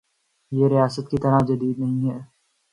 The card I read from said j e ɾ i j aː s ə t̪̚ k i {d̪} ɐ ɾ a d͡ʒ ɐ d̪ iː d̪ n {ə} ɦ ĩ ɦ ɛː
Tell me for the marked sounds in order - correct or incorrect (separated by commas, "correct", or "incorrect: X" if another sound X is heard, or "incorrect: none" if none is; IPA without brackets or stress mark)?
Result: incorrect: t̪, incorrect: ɐ